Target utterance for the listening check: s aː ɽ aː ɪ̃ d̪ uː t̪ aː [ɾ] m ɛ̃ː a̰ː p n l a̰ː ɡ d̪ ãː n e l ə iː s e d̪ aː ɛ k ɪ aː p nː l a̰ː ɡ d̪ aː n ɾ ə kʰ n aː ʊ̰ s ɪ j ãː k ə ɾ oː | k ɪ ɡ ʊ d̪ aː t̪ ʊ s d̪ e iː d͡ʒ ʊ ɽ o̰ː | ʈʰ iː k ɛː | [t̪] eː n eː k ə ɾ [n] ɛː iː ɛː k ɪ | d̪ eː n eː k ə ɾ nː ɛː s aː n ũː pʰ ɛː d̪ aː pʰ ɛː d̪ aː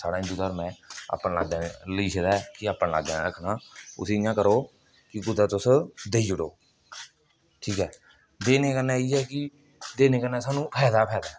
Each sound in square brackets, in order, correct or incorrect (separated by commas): correct, incorrect, correct